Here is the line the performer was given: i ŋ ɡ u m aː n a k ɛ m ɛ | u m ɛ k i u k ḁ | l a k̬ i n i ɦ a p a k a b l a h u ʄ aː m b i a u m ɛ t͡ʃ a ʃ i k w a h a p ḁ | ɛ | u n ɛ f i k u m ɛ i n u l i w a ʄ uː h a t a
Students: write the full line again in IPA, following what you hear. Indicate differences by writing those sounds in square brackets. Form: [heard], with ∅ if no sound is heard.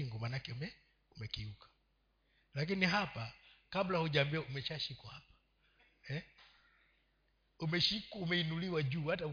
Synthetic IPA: i ŋ ɡ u m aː n a k ɛ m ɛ | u m ɛ k i u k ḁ | l a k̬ i n i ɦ a p a k a b l a h u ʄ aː m b i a u m ɛ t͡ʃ a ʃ i k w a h a p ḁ | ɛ | u [m] ɛ [ʃ] i k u m ɛ i n u l i w a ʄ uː h a t a